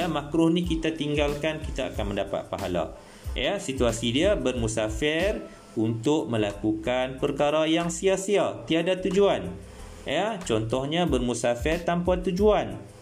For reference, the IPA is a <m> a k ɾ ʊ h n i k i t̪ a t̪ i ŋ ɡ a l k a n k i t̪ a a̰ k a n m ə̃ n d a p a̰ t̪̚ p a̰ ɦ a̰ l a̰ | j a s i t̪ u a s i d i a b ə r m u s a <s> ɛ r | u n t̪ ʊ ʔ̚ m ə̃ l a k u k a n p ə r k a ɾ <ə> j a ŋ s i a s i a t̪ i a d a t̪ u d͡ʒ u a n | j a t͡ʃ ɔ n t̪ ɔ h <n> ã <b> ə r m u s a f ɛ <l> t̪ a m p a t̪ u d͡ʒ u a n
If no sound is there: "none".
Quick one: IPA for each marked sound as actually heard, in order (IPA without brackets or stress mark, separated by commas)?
m, f, a, ɲ, b, r